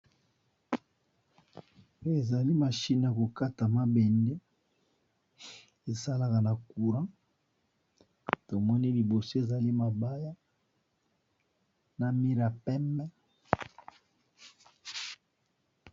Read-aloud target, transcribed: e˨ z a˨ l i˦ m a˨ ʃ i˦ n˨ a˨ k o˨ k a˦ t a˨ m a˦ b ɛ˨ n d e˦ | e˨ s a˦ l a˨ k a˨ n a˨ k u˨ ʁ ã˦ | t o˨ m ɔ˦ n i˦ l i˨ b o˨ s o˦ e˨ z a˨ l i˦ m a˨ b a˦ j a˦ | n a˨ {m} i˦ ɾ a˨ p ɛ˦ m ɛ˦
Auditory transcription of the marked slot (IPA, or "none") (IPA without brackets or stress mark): m